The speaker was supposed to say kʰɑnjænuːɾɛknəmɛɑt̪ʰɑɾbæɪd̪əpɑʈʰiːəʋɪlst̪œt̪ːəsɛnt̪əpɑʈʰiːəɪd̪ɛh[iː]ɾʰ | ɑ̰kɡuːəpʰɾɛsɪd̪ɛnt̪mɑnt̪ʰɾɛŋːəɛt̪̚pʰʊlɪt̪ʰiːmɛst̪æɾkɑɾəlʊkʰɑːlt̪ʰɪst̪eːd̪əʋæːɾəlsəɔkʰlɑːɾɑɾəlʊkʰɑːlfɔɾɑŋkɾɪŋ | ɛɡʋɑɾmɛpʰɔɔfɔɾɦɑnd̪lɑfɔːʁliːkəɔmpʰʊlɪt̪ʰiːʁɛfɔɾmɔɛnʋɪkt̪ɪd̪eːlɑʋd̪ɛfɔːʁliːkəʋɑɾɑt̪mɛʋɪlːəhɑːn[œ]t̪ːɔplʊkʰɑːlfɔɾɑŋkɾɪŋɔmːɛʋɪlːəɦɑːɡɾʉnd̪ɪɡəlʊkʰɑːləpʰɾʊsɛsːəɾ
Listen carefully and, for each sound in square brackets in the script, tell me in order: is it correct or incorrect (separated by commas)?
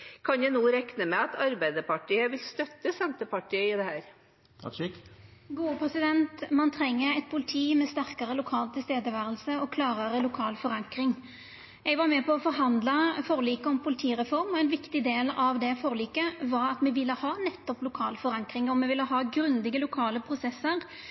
incorrect, incorrect